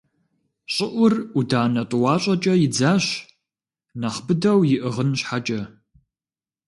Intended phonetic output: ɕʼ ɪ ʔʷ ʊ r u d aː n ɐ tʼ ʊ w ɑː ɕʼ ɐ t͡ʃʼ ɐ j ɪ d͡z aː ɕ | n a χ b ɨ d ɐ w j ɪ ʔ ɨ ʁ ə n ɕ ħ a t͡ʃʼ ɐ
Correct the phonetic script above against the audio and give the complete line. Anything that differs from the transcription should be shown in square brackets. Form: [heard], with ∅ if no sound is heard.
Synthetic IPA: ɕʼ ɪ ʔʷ ʊ r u d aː n ɐ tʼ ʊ w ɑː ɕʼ ɐ t͡ʃʼ ɐ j ɪ d͡z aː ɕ | n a χ b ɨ d ɐ w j ɪ ʔ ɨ ʁ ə n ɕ ħ a t͡ʃʼ ɐ